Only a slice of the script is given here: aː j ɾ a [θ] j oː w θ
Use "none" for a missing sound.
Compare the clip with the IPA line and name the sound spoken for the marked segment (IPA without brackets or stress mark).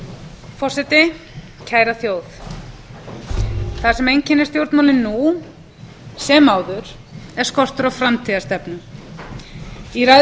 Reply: θ